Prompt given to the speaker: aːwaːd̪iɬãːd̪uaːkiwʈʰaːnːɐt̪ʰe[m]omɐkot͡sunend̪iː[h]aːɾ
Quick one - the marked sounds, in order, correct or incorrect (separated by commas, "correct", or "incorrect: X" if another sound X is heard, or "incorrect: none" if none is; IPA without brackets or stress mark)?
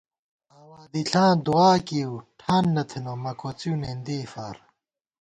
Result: incorrect: n, incorrect: f